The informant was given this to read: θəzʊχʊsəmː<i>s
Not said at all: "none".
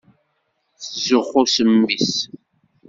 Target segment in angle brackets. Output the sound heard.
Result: i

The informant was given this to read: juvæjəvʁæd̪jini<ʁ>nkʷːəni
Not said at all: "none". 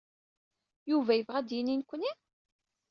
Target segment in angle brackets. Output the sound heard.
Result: none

